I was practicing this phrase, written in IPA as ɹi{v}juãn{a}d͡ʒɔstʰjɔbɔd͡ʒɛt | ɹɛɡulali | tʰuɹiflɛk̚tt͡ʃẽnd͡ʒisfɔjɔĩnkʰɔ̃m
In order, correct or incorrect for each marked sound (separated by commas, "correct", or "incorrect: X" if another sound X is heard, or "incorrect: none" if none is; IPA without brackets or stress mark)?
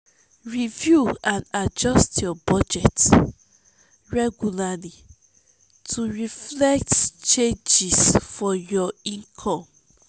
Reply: correct, correct